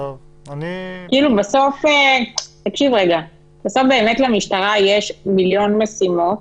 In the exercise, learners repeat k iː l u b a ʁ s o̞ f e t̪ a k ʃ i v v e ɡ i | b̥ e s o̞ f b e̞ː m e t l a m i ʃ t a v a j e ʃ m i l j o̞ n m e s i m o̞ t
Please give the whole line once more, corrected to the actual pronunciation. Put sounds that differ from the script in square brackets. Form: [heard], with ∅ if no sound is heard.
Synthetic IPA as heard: k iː l u b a [∅] s o̞ f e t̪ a k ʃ i v [ʁ] e ɡ [a] | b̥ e s o̞ f b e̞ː m e t l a m i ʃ t a [ʁ] a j e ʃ m i l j o̞ n m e s i m o̞ t